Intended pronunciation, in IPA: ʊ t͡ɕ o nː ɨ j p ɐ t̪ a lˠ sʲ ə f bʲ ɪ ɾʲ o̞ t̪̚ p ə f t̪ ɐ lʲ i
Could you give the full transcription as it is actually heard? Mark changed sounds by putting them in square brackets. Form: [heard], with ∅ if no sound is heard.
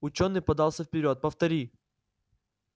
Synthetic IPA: ʊ t͡ɕ o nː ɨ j p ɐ [d̪] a lˠ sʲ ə f [pʲ] ɪ ɾʲ o̞ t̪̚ p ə f t̪ ɐ [ɾʲ] i